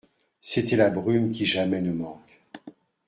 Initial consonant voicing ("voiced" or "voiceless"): voiceless